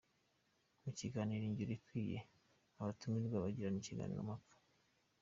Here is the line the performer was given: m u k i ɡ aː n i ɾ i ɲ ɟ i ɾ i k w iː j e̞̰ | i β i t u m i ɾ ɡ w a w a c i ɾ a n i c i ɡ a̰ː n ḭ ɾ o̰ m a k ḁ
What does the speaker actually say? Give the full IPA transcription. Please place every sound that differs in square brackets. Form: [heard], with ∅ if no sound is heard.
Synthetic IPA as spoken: m u [c] i ɡ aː n i ɾ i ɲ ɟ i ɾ i k w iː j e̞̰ | [a] β [a] t u m i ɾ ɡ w a [β] a [ɟ] i ɾ a n i c i ɡ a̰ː n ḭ ɾ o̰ m a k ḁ